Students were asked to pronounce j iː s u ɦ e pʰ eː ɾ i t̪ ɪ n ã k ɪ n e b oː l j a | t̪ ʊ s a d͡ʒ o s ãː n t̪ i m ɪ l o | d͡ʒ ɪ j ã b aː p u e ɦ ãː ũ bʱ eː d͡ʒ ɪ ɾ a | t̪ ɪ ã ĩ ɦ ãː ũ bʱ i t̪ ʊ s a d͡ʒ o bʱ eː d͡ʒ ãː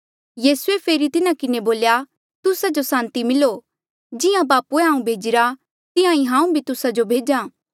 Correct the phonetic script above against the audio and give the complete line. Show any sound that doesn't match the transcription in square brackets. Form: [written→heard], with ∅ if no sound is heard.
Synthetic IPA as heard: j iː s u [ɦ→∅] e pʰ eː ɾ i t̪ ɪ n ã k ɪ n e b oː l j a | t̪ ʊ s a d͡ʒ o s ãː n t̪ i m ɪ l o | d͡ʒ ɪ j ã b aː p u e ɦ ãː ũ bʱ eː d͡ʒ ɪ ɾ a | t̪ ɪ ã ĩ ɦ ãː ũ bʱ i t̪ ʊ s a d͡ʒ o bʱ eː d͡ʒ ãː